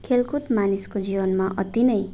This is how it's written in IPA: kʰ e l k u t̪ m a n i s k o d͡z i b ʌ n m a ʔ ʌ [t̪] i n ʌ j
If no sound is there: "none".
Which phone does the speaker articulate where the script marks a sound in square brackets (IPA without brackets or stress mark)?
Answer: t̪